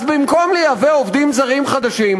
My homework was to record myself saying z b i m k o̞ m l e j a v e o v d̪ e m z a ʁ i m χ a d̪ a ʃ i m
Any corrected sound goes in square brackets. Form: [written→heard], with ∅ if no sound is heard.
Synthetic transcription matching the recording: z b i m k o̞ m l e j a v e o v d̪ [e→i] m z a ʁ i m χ a d̪ a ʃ i m